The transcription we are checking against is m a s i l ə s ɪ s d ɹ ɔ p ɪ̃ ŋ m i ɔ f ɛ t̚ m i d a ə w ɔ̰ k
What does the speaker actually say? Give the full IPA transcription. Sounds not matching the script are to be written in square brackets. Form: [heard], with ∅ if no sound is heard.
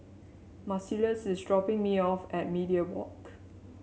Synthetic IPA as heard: m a s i l ə s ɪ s d ɹ ɔ p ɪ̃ ŋ m i ɔ f ɛ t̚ m i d [i] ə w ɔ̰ k

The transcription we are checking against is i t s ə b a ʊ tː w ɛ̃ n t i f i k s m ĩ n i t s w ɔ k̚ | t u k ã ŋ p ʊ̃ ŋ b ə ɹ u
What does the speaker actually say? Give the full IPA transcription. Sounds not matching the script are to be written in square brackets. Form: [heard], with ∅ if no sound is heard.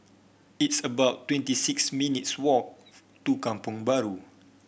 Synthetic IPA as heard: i t s ə b a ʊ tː w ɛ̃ n t i [s] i k s m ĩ n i t s w ɔ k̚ | t u k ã [m] p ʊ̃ ŋ b [a] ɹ u

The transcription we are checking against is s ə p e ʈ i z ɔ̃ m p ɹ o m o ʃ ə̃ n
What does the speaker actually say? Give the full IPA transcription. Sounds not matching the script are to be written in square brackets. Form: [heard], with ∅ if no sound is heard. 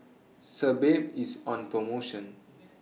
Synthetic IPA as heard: s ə [b] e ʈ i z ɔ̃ [n] p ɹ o m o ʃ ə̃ n

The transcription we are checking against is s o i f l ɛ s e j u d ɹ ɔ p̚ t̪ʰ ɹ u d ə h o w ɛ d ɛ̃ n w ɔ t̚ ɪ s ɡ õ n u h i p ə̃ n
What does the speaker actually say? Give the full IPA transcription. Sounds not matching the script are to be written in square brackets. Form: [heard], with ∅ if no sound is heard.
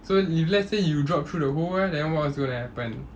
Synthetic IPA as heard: s o i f l ɛ s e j u d ɹ ɔ p̚ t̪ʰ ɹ u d ə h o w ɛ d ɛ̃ n w ɔ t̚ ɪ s ɡ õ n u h [ɛ] p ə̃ n

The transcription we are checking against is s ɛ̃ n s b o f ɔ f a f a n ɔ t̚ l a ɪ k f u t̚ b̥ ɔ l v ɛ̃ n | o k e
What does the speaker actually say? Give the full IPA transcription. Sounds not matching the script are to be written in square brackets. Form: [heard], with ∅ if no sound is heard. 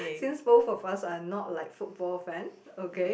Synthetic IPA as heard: s [ĩ] n s b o f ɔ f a [s] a n ɔ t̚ l a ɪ k f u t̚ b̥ ɔ l [f] ɛ̃ n | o k e

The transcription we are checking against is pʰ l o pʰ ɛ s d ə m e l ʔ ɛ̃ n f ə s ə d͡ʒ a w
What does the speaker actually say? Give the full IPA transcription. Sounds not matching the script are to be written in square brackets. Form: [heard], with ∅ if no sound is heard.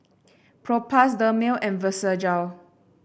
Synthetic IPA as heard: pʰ [ɹ] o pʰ [a] s d ə m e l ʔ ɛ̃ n [v] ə s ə d͡ʒ a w

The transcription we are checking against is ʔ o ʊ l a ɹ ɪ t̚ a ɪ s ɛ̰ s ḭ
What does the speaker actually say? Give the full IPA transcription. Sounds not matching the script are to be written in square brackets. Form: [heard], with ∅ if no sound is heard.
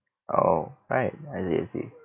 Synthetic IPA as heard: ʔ o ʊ [ɹ] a [∅] ɪ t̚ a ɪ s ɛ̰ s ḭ

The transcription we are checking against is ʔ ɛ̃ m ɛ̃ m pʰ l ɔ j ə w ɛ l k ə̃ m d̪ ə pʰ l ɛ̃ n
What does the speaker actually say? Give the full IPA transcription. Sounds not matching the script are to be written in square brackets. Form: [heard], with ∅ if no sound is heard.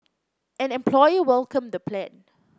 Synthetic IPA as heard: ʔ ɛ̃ [n] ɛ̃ m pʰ l ɔ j ə w ɛ l k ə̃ m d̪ ə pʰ l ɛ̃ n

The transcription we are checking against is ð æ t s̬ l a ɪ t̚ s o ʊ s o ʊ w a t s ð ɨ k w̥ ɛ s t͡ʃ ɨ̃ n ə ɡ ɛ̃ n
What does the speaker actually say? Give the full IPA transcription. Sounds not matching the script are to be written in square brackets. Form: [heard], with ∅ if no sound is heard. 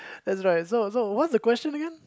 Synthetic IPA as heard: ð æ t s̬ [ɹ] a ɪ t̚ s o ʊ s o ʊ w [ʌ] t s ð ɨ k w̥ ɛ s t͡ʃ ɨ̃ n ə ɡ ɛ̃ n

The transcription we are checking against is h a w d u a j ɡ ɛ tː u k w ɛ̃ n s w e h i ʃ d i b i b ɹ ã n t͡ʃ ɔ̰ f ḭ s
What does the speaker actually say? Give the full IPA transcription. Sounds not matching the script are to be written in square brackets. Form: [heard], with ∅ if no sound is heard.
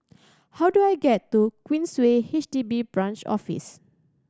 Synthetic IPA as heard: h a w d u a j ɡ ɛ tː u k w [ĩ] n s w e h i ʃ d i b i b ɹ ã n t͡ʃ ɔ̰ f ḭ s

